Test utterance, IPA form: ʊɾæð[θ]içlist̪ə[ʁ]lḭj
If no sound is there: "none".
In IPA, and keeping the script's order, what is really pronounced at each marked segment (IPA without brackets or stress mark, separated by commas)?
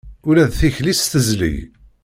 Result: θ, z